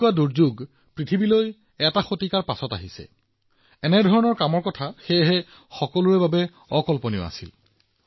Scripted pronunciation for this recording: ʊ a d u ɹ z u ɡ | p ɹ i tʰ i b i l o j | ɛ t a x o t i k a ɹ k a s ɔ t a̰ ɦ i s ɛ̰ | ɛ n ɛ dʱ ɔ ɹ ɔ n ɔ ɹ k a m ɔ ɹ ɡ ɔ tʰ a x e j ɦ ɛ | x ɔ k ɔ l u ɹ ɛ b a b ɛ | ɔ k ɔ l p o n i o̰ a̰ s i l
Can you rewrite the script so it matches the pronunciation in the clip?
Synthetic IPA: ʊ a d u ɹ z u ɡ | p ɹ i tʰ i b i l o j | ɛ t a x o t i k a ɹ p a s ɔ t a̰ ɦ i s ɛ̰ | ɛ n ɛ dʱ ɔ ɹ ɔ n ɔ ɹ k a m ɔ ɹ k ɔ tʰ a x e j ɦ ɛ | x ɔ k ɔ l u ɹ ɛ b a b ɛ | ɔ k ɔ l p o n i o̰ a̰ s i l